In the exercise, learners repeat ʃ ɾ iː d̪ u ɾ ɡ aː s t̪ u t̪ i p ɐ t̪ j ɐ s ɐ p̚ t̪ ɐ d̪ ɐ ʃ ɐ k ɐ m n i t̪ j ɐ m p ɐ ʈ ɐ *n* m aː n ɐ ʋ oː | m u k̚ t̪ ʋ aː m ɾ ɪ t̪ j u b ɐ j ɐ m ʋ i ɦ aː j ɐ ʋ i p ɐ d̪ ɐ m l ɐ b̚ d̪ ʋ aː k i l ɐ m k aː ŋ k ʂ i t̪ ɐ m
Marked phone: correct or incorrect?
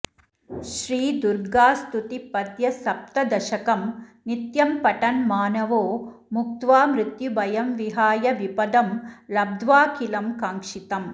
correct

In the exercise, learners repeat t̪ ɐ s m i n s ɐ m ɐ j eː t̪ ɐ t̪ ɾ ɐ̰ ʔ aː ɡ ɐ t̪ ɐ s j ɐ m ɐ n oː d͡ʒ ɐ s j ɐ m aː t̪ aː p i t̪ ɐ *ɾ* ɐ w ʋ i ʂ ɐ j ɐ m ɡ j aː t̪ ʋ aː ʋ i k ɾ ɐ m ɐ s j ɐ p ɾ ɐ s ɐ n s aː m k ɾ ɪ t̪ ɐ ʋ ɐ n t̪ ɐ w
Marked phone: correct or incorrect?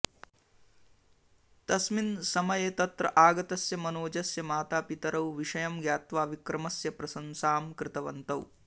correct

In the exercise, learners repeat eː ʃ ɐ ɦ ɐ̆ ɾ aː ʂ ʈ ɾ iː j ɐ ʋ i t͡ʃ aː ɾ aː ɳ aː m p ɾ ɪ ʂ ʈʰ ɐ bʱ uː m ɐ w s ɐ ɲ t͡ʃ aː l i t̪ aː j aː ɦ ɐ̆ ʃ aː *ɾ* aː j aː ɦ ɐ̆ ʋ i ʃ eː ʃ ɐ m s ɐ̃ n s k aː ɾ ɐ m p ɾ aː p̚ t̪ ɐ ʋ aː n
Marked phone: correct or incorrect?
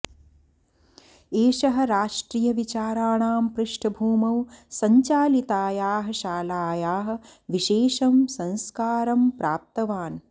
incorrect: l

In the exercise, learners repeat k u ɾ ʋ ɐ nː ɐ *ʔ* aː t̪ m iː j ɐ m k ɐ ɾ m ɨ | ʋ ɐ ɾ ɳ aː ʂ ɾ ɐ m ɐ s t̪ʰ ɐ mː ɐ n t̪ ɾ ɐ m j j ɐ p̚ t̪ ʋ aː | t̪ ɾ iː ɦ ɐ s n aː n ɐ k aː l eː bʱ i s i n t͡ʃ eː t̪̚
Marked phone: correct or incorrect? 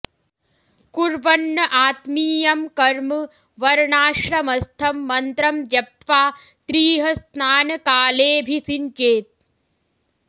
correct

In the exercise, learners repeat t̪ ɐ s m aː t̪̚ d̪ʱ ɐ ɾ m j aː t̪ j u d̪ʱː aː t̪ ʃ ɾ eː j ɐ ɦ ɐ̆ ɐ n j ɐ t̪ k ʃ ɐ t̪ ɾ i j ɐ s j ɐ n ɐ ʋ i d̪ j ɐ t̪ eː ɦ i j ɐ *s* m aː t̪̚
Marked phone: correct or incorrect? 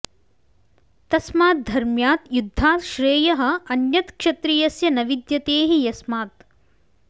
correct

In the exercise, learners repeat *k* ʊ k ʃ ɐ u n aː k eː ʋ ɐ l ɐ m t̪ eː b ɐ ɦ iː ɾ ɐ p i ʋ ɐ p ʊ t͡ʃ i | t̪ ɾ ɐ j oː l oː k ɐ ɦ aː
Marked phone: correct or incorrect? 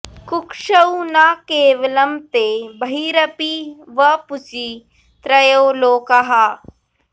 correct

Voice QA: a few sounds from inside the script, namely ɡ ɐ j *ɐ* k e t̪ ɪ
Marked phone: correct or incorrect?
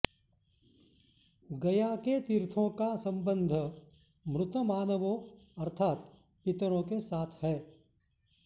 incorrect: a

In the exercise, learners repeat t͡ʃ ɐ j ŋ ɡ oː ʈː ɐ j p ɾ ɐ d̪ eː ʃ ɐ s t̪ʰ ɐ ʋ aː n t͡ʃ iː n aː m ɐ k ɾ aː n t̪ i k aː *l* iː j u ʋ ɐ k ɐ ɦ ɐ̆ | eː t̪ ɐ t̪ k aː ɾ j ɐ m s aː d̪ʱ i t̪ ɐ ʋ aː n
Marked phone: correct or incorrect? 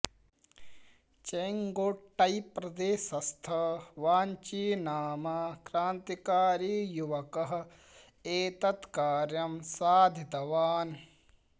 incorrect: ɾ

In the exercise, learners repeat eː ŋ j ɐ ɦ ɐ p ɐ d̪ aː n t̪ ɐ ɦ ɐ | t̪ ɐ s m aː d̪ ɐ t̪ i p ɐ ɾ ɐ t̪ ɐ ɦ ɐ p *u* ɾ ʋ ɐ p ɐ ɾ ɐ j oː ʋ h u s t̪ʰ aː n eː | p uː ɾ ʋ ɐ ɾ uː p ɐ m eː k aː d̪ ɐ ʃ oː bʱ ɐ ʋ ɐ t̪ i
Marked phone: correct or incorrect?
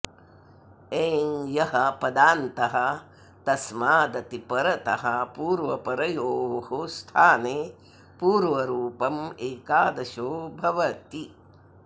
incorrect: uː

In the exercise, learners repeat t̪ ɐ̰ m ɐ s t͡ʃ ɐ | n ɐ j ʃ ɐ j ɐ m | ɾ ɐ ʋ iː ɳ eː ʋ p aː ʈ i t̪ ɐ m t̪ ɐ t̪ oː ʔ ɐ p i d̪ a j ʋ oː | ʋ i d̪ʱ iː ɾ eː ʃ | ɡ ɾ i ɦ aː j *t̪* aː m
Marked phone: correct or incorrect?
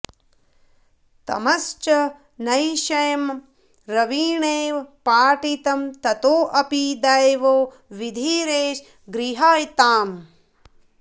correct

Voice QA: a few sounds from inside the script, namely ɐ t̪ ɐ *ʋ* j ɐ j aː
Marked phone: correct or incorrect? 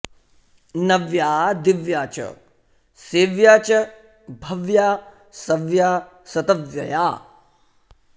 correct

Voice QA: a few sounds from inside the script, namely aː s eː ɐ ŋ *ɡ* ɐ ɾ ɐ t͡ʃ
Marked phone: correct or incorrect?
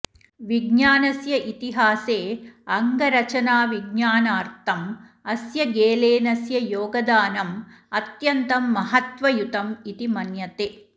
correct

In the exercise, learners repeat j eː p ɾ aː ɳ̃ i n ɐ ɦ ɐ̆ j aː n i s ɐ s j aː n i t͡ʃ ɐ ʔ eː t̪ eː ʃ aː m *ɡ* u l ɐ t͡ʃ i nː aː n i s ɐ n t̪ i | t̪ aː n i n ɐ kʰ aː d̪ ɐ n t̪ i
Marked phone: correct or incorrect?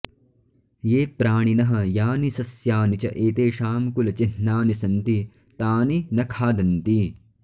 incorrect: k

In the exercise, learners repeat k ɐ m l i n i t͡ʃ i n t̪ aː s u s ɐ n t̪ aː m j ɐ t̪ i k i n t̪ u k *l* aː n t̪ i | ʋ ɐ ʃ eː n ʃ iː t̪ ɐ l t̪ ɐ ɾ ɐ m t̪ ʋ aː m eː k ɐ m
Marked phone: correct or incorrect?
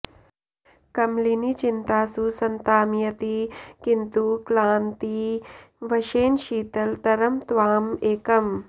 correct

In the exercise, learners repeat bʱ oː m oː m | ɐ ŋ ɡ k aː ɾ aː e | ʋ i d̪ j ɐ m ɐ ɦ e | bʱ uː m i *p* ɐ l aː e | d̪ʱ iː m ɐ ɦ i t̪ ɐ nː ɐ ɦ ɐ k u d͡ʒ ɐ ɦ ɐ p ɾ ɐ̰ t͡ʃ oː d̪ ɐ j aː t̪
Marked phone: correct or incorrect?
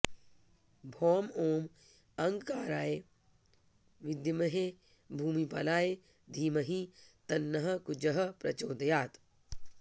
correct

